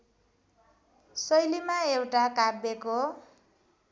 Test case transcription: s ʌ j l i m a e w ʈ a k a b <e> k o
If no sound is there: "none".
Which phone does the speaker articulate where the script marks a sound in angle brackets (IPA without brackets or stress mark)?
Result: e